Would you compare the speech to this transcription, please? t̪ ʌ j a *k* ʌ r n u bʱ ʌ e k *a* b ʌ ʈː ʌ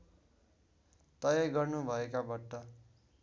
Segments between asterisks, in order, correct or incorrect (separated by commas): incorrect, correct